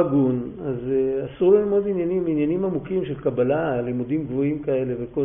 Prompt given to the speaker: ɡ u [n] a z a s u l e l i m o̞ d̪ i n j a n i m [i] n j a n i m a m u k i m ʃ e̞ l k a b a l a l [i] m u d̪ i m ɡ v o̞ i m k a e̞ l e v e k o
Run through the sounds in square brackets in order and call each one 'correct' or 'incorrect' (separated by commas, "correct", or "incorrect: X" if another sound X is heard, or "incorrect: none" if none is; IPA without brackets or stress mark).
correct, correct, correct